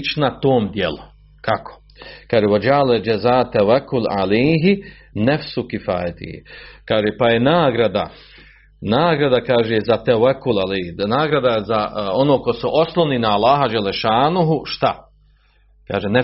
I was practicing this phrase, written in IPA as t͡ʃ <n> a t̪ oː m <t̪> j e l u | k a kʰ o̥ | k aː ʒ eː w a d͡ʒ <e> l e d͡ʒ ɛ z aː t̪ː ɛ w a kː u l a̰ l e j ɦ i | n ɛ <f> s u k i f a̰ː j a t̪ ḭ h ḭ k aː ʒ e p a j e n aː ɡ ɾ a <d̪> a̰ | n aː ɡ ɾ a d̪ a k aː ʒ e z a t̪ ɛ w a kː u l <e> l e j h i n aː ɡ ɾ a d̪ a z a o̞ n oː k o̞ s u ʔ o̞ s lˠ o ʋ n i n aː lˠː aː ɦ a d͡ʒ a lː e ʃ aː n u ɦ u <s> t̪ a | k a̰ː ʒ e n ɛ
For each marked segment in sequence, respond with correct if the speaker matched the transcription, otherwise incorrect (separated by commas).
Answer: correct, incorrect, incorrect, correct, correct, incorrect, incorrect